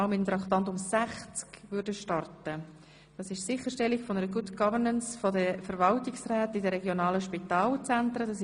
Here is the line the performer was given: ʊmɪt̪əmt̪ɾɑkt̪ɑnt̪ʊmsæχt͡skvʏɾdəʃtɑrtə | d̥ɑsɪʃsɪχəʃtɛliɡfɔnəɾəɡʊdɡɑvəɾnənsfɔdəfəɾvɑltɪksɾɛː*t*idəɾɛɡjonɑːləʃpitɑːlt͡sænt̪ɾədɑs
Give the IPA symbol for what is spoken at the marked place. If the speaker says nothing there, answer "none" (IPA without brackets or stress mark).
t